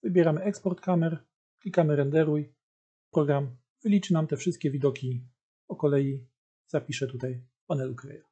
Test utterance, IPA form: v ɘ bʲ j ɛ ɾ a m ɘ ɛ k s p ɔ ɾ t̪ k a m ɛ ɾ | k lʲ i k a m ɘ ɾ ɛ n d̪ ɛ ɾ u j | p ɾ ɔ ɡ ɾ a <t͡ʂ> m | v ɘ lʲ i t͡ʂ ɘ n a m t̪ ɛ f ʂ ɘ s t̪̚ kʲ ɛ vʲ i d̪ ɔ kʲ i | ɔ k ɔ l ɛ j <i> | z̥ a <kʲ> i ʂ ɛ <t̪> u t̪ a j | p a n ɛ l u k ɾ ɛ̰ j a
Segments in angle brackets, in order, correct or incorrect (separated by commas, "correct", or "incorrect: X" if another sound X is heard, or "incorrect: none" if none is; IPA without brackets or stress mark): incorrect: none, correct, incorrect: pʲ, correct